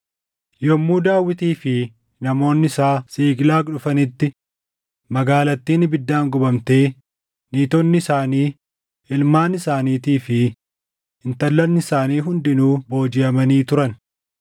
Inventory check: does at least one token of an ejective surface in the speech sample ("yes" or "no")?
no